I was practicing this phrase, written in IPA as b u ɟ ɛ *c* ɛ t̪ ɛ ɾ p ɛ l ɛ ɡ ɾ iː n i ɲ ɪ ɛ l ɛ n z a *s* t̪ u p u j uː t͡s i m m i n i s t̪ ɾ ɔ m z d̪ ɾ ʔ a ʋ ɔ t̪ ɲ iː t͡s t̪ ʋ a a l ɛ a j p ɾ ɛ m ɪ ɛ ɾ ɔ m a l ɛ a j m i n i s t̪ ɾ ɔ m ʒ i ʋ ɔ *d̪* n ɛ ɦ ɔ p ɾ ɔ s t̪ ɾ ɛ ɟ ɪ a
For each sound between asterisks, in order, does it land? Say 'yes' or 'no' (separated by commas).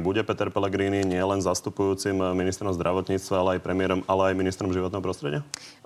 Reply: no, yes, no